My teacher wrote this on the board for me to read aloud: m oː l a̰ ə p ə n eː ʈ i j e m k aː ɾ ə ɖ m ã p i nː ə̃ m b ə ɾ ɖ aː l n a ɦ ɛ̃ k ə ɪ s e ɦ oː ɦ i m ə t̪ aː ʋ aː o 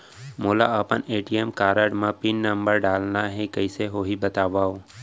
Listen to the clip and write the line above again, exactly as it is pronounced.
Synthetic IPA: m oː l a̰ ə p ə n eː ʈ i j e m k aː ɾ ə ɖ m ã p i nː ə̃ m b ə ɾ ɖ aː l n a ɦ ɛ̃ k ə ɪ s e ɦ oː ɦ i b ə t̪ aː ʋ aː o